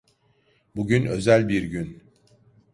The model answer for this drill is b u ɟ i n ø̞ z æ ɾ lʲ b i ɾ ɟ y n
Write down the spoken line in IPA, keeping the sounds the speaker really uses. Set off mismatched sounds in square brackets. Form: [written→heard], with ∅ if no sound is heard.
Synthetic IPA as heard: b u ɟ [i→y] n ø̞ z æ [ɾ→∅] lʲ b i ɾ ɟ y n